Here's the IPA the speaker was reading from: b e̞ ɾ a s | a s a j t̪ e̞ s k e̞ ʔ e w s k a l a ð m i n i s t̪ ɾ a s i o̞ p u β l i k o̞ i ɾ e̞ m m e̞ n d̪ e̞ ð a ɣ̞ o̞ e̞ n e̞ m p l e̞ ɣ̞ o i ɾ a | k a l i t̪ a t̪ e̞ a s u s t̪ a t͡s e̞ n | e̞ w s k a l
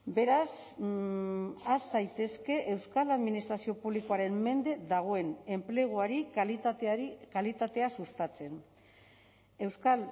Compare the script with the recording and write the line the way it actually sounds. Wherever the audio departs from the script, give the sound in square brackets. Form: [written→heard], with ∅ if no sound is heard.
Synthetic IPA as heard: b e̞ ɾ a s | a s a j t̪ e̞ s k e̞ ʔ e w s k a l a ð m i n i s t̪ ɾ a s i o̞ p u β l i k o̞ [i→a] ɾ e̞ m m e̞ n d̪ e̞ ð a ɣ̞ o̞ e̞ n e̞ m p l e̞ ɣ̞ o [i→a] ɾ [a→i] | k a l i t̪ a t̪ e̞ a s u s t̪ a t͡s e̞ n | e̞ w s k a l